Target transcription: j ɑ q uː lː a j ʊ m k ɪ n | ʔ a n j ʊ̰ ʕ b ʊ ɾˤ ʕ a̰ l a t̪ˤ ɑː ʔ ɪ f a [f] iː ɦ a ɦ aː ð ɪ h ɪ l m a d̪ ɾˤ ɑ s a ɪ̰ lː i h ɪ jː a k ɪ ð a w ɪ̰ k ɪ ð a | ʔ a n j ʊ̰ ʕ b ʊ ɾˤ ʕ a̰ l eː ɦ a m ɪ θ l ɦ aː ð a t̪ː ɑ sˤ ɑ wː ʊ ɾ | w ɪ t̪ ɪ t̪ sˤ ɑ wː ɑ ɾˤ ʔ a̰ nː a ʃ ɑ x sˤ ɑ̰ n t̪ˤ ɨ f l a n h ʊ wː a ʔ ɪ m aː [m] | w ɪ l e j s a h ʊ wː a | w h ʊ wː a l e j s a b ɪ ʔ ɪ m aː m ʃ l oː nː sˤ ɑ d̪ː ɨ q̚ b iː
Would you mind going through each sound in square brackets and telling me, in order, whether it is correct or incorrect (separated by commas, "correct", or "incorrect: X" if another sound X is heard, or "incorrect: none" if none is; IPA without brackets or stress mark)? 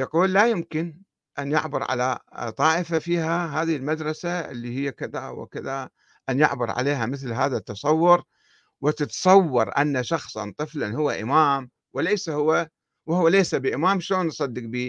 correct, correct